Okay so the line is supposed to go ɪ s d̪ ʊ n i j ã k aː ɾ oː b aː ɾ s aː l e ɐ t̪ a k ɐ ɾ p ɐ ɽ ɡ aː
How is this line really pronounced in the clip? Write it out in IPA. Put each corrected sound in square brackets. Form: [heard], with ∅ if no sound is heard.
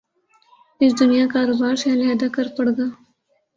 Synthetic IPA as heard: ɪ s d̪ ʊ n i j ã k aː ɾ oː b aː ɾ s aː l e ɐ [d̪] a k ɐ ɾ p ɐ ɽ ɡ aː